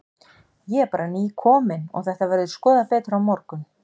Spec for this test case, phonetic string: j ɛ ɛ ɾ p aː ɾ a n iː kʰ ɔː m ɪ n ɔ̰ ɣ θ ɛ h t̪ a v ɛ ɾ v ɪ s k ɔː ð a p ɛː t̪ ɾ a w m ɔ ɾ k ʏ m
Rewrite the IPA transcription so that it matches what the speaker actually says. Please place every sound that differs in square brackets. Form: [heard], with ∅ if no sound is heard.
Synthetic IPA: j ɛ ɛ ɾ p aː ɾ a n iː kʰ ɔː m ɪ n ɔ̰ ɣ θ ɛ h t̪ a v ɛ ɾ [ð] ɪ s k ɔː ð a p ɛː t̪ ɾ a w m ɔ ɾ k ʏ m